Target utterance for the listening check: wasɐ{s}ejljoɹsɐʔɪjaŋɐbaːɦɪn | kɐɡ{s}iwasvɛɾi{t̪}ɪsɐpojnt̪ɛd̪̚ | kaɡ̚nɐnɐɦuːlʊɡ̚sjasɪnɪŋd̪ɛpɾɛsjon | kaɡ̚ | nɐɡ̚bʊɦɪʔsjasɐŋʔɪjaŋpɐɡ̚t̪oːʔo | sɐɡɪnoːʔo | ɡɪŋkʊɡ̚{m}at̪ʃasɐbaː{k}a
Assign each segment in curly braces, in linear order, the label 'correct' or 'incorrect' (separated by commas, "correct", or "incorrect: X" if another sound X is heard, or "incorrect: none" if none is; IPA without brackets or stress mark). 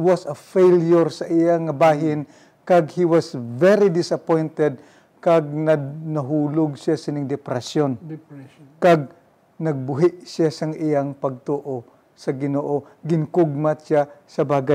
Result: incorrect: f, incorrect: h, incorrect: d̪, correct, incorrect: ɡ